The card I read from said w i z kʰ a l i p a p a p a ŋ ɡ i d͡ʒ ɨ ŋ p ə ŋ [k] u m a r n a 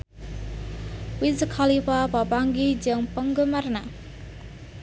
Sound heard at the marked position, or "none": ɡ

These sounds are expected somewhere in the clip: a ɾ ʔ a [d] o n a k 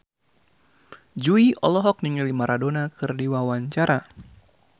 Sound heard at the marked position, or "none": d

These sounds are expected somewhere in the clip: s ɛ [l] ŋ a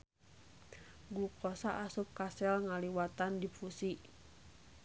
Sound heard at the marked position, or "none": l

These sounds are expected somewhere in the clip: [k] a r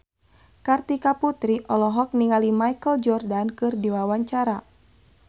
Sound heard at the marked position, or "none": k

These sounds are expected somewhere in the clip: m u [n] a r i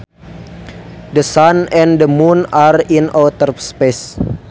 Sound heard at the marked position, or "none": n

